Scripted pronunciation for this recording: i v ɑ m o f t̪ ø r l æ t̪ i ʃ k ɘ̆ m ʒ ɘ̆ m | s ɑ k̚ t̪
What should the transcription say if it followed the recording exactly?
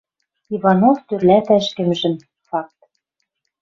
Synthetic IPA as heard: i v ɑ n o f t̪ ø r l æ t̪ æ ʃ k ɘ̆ m ʒ ɘ̆ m | f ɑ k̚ t̪